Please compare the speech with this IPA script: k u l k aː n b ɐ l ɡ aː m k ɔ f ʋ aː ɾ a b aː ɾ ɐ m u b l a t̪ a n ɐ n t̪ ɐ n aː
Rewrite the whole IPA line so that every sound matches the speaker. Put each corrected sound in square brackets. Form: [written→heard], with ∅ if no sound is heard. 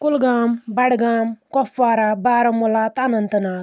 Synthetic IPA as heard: k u l [k→ɡ] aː [n→m] b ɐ [l→ɽ] ɡ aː m k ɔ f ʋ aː ɾ a b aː ɾ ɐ m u [b→∅] l a t̪ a n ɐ n t̪ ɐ n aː